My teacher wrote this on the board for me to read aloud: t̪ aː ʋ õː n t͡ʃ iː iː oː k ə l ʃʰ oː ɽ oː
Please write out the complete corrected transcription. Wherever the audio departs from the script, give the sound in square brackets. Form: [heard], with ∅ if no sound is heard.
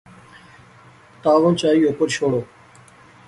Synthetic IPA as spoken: t̪ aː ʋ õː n t͡ʃ [aː] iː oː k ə [ɾ] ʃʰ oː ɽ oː